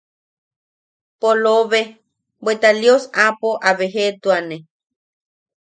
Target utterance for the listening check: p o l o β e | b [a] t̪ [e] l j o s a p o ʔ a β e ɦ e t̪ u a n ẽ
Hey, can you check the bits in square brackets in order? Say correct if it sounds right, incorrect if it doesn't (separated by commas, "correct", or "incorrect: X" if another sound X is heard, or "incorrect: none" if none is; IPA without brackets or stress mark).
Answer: incorrect: e, incorrect: a